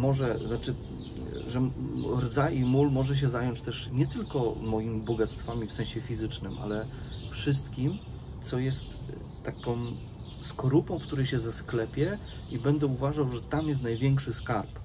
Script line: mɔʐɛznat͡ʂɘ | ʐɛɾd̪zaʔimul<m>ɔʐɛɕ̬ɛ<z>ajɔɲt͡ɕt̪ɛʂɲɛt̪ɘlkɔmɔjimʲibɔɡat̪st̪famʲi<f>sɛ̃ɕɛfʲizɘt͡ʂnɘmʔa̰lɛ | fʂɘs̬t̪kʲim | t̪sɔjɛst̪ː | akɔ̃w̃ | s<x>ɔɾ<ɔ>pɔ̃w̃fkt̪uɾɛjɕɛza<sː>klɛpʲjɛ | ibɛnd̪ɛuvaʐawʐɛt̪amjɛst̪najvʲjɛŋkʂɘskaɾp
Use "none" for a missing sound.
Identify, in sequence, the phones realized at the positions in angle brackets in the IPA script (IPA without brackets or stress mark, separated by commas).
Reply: m, z, f, k, u, s